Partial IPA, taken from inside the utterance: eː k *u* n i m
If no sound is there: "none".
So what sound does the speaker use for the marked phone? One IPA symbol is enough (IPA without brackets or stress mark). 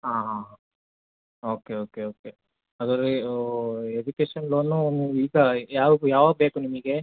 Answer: u